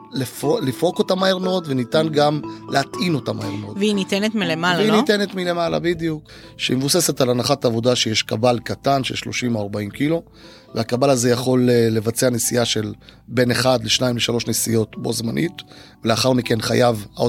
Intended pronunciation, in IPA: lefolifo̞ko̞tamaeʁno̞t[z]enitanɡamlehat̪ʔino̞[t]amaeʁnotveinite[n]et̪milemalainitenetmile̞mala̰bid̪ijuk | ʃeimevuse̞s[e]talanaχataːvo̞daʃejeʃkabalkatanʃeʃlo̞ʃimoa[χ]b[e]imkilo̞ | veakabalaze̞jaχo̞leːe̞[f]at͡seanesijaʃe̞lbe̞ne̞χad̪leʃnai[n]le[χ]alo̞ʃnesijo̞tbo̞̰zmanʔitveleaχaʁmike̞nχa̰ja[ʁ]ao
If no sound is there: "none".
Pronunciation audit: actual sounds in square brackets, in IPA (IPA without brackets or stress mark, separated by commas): v, t, n, e, ʁ, a, v, m, ʃ, v